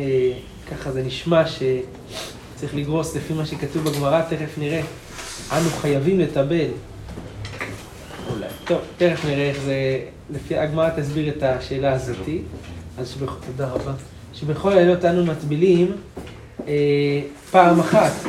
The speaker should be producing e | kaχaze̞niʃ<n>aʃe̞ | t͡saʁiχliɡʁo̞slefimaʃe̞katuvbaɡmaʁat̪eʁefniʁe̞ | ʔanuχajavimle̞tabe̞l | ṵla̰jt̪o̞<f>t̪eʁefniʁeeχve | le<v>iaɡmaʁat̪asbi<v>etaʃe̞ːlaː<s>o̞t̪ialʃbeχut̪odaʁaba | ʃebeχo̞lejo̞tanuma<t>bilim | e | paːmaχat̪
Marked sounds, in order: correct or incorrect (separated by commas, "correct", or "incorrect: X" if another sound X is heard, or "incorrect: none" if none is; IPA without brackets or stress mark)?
incorrect: m, incorrect: v, incorrect: f, incorrect: ʁ, incorrect: z, correct